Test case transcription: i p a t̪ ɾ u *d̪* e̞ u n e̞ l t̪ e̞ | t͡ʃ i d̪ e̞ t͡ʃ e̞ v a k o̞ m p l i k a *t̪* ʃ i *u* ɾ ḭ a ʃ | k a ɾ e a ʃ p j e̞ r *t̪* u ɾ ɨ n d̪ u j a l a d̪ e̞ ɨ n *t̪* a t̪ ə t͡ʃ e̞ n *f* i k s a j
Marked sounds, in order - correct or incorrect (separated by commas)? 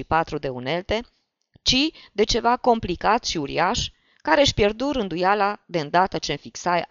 correct, correct, correct, incorrect, incorrect, correct